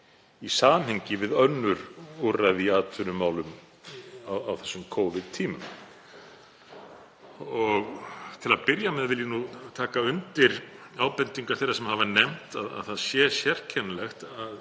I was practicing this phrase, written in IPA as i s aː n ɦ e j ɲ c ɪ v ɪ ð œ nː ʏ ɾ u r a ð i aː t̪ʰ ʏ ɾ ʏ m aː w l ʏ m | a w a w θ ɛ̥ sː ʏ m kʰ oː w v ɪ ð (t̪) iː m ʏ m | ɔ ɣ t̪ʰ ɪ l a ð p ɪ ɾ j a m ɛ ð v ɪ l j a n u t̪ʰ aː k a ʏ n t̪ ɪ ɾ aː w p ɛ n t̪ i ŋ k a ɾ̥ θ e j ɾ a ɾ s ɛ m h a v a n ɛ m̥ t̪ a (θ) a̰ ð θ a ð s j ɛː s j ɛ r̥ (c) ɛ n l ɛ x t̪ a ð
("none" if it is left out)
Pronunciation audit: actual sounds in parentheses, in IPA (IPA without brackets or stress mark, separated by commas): t̪ʰ, ð, cʰ